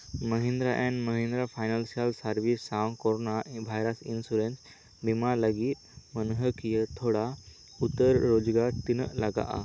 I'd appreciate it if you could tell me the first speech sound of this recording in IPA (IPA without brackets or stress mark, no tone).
m